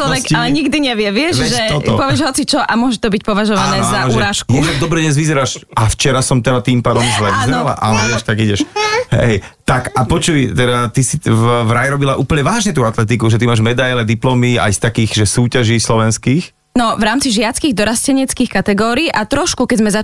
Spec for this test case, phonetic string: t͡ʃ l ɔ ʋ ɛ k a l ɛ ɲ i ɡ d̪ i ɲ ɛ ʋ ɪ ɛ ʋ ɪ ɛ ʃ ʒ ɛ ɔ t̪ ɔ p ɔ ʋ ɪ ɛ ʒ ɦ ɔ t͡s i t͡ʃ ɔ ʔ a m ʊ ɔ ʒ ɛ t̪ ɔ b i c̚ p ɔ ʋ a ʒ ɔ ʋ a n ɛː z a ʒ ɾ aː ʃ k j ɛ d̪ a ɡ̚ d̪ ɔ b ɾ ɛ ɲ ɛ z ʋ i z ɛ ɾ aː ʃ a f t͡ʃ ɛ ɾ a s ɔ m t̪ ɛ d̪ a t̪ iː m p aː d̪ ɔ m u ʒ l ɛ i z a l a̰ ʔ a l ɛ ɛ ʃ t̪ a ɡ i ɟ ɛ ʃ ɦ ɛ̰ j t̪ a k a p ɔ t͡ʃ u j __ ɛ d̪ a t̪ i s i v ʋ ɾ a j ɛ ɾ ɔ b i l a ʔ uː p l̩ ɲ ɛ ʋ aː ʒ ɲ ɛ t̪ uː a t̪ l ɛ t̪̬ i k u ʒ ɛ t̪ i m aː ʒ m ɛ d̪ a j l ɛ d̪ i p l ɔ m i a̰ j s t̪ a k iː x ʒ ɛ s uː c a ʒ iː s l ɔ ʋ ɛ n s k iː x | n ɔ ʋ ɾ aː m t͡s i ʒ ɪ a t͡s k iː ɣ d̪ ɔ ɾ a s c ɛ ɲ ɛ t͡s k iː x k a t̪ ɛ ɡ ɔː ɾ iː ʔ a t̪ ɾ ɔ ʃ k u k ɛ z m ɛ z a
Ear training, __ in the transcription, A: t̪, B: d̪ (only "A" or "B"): A